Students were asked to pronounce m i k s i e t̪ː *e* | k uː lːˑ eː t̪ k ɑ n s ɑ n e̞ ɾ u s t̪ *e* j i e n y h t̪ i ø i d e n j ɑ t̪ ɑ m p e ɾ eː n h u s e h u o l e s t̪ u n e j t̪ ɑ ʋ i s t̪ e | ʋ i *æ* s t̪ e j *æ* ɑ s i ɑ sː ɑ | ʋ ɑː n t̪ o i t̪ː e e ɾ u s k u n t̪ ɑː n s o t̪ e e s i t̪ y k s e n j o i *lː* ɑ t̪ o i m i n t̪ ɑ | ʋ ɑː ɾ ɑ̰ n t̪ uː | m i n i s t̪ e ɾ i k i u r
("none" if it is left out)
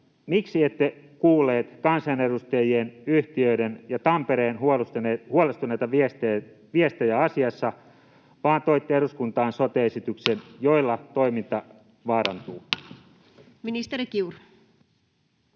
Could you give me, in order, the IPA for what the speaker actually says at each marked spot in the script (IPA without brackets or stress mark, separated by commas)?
e, e, e, æ, lː